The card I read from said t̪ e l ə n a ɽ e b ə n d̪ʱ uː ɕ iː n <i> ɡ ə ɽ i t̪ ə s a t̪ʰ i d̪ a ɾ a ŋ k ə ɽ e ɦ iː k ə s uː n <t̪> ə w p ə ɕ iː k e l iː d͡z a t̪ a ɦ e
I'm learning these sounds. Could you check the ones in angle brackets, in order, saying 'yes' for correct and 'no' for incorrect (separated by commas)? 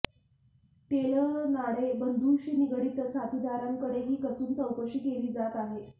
yes, yes